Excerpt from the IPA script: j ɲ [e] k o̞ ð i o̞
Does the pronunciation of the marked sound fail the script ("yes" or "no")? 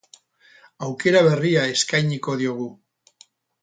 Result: yes